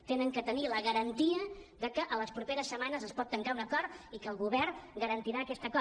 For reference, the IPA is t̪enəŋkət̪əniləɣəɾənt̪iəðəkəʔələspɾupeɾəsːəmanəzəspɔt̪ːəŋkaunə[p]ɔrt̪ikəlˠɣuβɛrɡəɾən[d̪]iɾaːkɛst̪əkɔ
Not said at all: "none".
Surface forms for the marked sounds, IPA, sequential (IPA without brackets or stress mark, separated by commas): k, t̪